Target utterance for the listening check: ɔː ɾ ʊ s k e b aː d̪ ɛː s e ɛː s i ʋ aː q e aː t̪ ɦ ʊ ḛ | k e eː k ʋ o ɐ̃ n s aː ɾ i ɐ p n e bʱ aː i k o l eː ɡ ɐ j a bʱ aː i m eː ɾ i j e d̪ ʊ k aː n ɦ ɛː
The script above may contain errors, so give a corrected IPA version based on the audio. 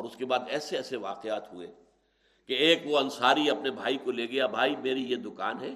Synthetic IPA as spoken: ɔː ɾ ʊ s k e b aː d̪ ɛː s e ɛː s e ʋ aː q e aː t̪ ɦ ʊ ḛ | k e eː k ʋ o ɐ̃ n s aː ɾ i ɐ p n e bʱ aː i k o l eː ɡ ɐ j a bʱ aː i m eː ɾ i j e d̪ ʊ k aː n ɦ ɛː